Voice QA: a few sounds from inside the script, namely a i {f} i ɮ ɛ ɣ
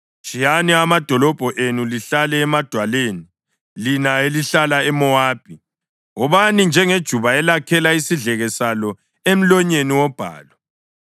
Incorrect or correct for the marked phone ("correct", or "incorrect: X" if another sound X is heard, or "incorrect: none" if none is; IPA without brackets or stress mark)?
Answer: incorrect: s